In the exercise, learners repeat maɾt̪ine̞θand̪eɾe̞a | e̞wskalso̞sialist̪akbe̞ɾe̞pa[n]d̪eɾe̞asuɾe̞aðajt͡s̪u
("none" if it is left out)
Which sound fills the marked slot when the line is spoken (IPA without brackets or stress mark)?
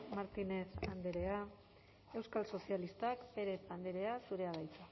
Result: n